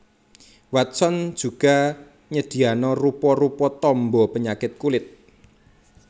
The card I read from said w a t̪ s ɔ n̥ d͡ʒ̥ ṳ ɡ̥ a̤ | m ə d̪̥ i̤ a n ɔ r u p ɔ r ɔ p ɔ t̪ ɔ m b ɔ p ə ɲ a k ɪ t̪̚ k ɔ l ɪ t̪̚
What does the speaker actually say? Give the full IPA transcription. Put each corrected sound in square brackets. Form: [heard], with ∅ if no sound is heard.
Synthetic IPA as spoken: w a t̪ s ɔ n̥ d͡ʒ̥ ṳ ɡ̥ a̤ | [ɲ] ə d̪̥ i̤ a n ɔ r u p ɔ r [u] p ɔ t̪ ɔ m b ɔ p ə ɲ a k ɪ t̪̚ k [u] l ɪ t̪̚